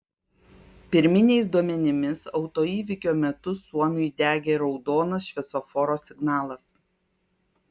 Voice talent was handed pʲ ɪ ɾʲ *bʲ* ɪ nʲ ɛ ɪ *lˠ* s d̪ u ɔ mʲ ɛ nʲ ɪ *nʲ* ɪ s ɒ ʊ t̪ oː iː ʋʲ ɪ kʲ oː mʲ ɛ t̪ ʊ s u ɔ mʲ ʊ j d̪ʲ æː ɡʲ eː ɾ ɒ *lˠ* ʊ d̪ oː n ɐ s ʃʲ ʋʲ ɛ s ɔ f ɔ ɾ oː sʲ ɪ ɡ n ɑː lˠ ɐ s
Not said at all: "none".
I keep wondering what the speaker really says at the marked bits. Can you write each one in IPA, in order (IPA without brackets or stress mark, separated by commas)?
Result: mʲ, none, mʲ, none